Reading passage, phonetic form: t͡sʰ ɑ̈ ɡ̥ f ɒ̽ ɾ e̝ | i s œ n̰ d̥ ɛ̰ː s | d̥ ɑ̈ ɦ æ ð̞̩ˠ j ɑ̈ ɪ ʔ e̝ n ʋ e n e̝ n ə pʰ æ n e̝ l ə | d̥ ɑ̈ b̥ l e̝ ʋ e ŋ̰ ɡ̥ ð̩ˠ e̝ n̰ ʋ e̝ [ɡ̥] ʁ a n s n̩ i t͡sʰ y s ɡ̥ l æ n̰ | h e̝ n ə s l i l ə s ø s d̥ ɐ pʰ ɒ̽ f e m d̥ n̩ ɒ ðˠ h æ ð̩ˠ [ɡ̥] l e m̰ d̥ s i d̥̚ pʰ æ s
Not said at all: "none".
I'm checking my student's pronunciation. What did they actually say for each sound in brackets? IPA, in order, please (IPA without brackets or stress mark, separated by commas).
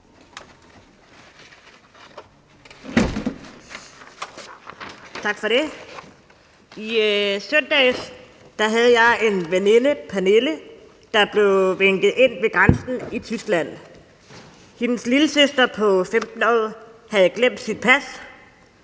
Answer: ɡ̥, ɡ̥